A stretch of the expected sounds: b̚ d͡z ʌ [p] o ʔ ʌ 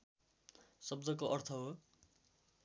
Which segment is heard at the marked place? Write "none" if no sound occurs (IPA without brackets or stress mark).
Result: k